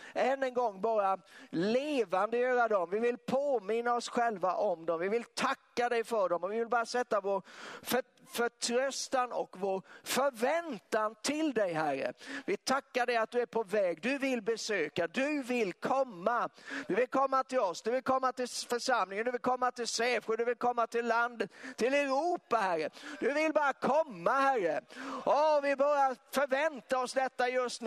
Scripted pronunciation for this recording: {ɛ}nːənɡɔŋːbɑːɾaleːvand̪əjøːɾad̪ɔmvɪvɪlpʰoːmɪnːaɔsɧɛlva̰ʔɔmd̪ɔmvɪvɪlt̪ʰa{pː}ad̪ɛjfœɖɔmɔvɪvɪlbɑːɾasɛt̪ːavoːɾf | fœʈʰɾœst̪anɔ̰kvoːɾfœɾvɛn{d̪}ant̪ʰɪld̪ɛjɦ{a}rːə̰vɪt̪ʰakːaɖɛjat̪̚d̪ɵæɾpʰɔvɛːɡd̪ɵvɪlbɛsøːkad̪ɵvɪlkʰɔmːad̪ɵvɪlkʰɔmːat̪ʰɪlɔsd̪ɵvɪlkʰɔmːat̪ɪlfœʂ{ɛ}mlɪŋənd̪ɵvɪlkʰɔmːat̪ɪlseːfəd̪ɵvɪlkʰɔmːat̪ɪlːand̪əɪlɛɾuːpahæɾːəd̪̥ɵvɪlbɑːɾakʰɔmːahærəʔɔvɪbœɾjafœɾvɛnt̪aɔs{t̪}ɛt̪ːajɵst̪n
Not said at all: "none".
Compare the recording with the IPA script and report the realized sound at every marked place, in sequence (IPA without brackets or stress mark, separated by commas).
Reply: ɛ, kː, t̪, æ, a, d̪